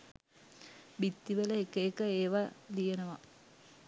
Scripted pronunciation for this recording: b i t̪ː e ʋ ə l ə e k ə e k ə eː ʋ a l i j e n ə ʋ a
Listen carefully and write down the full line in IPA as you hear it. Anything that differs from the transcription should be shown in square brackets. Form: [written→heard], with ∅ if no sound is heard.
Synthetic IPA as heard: b i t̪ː [e→i] ʋ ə l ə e k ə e k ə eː ʋ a l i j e n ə ʋ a